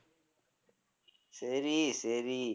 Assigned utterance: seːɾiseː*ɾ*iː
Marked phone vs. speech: correct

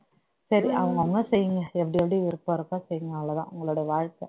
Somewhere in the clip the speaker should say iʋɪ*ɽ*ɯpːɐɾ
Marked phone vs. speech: incorrect: ɾ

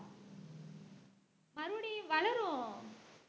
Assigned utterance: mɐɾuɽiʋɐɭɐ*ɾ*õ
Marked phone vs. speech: correct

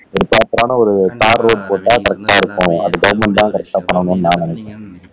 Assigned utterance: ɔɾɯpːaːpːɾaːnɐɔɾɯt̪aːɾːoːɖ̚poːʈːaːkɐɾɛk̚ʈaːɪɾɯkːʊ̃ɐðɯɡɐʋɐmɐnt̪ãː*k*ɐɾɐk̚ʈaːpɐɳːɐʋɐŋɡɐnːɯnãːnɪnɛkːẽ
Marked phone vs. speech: correct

